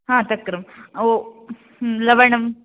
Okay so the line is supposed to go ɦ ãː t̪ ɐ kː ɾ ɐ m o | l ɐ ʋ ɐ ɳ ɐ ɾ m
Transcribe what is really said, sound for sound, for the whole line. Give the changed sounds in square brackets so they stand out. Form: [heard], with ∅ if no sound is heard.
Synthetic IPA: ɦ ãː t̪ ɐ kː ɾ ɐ m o | l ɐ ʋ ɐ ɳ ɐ [∅] m